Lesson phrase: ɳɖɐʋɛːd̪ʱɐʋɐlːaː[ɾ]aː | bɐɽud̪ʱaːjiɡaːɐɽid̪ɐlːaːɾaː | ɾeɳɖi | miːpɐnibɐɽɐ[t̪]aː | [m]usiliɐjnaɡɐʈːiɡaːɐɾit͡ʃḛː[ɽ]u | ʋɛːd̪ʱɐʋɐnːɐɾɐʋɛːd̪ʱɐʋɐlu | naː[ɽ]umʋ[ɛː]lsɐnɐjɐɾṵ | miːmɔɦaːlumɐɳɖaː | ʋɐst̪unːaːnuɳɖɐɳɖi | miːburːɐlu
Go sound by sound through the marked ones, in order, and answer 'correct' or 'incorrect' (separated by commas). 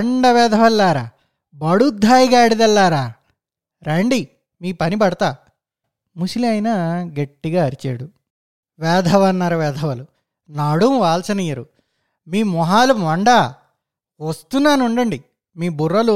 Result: correct, correct, correct, correct, correct, incorrect